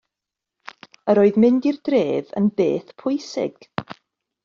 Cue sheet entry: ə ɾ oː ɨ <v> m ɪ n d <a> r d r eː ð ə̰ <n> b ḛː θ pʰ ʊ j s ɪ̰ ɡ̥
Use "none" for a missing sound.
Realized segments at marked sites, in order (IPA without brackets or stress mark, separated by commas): ð, i, n